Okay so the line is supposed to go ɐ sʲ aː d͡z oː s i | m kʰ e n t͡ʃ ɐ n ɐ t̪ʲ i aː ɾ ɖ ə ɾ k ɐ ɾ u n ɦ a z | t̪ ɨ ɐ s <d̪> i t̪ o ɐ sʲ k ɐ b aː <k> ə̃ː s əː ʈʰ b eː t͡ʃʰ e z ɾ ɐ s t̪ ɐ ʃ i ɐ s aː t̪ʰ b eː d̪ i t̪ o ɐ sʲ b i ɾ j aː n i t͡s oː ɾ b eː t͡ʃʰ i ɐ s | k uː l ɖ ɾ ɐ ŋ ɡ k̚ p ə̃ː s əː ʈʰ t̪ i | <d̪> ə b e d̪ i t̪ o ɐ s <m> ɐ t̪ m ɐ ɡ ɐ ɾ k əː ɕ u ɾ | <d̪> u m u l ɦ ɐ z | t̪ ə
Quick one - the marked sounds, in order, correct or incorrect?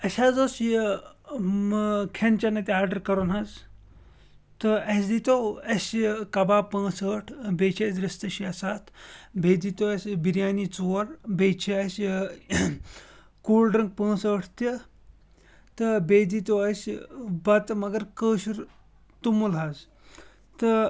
correct, incorrect, incorrect, incorrect, incorrect

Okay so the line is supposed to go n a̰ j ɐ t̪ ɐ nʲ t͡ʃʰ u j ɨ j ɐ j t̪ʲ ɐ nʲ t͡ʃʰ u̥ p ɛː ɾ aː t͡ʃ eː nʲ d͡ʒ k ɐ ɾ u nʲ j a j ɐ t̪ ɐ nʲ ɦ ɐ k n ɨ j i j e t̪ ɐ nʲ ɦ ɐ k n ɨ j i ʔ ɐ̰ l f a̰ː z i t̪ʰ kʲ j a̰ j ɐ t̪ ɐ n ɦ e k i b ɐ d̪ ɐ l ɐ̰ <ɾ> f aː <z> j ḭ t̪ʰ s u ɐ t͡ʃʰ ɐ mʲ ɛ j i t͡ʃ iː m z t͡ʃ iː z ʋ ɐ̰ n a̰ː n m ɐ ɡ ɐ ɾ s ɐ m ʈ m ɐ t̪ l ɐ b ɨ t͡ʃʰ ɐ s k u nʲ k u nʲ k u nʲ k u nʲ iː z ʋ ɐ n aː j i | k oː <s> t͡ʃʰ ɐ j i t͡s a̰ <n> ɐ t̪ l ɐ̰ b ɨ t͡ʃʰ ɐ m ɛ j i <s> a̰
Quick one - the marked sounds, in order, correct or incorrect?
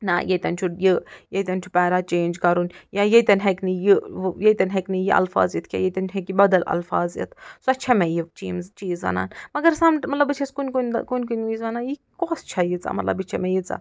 incorrect, correct, correct, incorrect, incorrect

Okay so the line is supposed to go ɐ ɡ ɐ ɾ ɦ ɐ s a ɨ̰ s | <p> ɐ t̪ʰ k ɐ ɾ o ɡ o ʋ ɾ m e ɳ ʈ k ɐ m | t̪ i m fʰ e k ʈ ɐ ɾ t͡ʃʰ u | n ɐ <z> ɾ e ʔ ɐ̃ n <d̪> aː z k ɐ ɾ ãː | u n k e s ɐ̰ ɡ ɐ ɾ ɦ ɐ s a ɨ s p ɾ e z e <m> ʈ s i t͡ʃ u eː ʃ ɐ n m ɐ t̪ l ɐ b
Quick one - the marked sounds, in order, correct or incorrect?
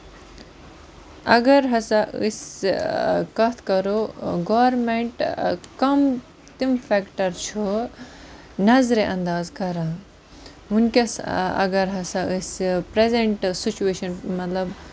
incorrect, correct, correct, incorrect

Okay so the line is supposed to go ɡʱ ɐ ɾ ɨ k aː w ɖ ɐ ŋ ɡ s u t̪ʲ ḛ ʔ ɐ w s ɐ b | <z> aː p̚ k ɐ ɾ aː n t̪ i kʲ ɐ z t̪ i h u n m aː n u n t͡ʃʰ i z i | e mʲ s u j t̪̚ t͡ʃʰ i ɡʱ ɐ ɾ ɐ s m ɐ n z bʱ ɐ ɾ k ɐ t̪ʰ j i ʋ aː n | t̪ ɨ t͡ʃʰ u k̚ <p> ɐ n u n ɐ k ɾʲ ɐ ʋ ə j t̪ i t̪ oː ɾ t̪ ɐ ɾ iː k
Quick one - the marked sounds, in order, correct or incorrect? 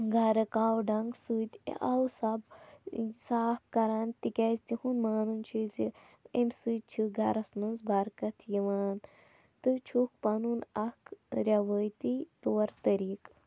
incorrect, correct

